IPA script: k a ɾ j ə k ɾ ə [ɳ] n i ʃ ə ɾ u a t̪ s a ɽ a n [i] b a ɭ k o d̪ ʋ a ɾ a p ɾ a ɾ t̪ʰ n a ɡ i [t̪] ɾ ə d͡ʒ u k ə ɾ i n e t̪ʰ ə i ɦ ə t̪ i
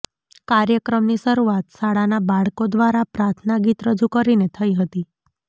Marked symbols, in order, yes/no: no, no, yes

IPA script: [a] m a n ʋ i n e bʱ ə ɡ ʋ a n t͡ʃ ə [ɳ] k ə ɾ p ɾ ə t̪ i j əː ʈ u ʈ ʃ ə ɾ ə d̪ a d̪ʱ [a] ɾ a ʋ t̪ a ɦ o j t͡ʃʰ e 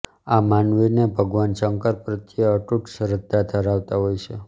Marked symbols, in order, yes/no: yes, no, no

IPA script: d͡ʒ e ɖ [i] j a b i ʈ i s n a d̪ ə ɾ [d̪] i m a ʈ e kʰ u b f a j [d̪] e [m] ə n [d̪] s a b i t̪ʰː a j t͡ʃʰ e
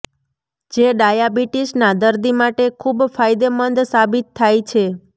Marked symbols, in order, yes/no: no, yes, yes, yes, yes

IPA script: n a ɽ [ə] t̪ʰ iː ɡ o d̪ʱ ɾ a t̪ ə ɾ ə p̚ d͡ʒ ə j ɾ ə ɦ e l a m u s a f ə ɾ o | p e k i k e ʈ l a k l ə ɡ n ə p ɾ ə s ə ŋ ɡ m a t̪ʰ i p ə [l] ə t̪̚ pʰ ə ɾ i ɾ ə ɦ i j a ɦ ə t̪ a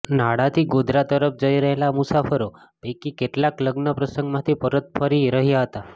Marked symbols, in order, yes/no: no, no

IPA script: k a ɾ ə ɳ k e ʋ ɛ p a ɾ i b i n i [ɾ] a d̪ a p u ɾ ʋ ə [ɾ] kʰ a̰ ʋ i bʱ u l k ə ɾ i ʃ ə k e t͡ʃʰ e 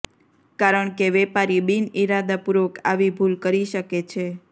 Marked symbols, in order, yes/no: yes, no

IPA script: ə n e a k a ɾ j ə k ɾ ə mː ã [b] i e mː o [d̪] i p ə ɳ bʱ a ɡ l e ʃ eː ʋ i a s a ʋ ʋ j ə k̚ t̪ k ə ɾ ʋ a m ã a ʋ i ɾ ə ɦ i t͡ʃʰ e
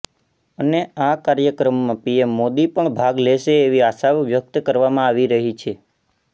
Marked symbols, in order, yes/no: no, yes

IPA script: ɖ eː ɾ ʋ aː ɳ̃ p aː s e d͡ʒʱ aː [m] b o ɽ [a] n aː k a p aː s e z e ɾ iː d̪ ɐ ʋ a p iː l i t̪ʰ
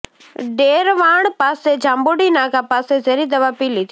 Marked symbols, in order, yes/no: yes, no

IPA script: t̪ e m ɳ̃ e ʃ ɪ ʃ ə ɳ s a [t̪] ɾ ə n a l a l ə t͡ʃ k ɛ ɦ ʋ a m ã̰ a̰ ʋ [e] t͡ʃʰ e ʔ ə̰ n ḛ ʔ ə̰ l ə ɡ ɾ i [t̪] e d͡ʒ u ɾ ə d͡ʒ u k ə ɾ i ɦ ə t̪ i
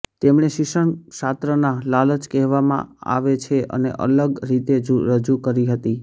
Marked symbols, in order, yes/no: yes, yes, yes

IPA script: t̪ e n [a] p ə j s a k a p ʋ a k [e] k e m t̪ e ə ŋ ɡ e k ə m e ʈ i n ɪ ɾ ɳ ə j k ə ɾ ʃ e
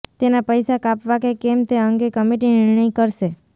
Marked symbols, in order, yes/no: yes, yes

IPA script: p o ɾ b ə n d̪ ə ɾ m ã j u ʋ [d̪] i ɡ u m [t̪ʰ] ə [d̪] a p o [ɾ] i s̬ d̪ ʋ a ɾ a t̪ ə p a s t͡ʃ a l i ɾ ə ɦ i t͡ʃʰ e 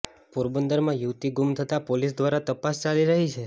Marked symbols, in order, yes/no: no, yes, no, no

